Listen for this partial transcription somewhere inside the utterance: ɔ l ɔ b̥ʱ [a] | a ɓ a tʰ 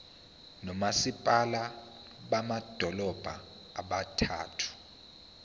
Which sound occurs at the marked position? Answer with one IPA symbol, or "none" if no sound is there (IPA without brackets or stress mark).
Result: a